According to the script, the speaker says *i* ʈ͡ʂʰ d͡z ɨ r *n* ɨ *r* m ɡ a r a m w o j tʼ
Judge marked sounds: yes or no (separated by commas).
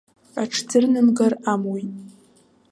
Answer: no, yes, no